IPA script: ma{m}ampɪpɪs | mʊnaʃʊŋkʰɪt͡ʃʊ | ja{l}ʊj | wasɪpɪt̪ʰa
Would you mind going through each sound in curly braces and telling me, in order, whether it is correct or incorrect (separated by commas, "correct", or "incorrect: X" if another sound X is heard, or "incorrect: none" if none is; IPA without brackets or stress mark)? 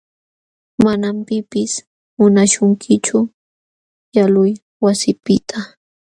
incorrect: n, correct